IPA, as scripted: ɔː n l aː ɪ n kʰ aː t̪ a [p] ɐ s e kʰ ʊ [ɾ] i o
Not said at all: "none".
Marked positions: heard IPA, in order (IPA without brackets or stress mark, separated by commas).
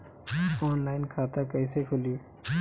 k, l